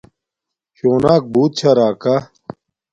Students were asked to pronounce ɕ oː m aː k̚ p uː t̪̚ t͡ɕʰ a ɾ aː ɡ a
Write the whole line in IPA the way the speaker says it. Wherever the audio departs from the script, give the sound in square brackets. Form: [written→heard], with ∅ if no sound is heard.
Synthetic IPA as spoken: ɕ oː [m→n] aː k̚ [p→b] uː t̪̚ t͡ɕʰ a ɾ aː [ɡ→k] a